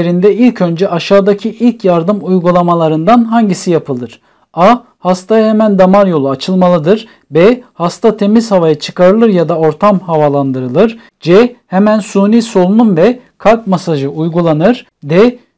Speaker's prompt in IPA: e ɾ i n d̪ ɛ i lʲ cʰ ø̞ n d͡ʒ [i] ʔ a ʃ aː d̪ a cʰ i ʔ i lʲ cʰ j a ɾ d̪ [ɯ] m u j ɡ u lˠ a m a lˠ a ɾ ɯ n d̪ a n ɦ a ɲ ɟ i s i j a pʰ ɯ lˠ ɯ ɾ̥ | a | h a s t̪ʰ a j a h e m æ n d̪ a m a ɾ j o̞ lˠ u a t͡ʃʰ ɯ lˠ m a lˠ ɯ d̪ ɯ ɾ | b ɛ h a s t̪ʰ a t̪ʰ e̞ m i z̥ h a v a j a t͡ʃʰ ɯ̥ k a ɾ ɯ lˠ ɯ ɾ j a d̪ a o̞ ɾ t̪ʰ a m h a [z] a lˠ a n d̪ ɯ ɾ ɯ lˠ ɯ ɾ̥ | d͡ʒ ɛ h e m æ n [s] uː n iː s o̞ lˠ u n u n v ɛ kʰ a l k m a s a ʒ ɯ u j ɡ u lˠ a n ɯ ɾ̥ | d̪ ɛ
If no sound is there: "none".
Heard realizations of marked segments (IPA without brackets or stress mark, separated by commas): ɛ, ɯ, v, s